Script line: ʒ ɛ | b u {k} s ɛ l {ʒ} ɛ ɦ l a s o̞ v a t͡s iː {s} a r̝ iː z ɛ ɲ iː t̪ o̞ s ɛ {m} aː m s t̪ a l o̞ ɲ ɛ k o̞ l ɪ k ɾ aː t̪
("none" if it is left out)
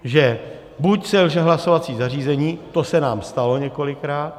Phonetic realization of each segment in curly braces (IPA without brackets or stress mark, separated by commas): c, ʒ, z, n